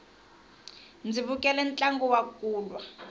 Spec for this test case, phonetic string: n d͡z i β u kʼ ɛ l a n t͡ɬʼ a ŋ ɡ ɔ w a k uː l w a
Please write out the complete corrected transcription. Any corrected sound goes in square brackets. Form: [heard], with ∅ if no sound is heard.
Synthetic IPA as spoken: n d͡z i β u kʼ ɛ l [ɛ] n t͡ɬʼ a ŋ ɡ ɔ w a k uː l w a